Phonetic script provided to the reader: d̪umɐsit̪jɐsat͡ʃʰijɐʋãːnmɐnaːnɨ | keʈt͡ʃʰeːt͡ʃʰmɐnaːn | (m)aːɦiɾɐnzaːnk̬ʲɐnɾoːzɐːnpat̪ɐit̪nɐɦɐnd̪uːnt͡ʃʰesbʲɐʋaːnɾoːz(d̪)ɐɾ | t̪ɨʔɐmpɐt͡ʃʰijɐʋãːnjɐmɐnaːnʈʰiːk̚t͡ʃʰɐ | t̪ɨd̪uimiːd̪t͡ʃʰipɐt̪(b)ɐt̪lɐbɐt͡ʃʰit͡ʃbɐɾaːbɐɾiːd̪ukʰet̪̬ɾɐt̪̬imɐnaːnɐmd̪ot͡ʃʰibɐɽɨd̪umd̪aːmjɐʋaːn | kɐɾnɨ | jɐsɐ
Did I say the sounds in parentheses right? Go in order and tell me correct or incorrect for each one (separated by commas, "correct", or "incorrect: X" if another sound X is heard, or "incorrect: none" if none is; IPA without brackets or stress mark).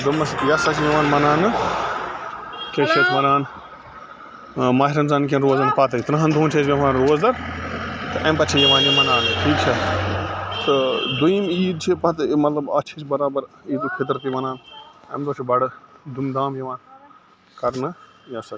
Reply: correct, correct, incorrect: m